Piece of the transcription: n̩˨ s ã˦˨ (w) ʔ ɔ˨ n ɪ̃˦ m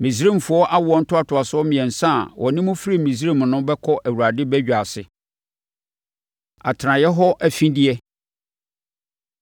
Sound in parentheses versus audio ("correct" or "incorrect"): correct